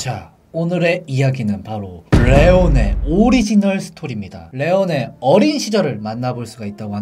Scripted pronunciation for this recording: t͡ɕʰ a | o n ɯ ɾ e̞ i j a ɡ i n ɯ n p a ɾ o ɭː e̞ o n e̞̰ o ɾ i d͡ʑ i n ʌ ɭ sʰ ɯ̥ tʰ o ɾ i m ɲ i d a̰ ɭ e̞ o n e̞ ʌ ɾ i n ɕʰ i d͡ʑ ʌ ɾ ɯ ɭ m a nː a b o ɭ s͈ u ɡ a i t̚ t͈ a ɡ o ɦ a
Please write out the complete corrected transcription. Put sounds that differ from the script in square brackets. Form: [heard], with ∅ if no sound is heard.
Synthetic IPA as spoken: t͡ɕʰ a | o n ɯ ɾ e̞ i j a ɡ i n ɯ n p a ɾ o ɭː e̞ o n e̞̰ o ɾ i d͡ʑ i n ʌ ɭ sʰ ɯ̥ tʰ o ɾ i m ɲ i d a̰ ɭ e̞ o n e̞ ʌ ɾ i n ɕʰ i d͡ʑ ʌ ɾ ɯ ɭ m a nː a b o ɭ s͈ u ɡ a i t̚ t͈ a ɡ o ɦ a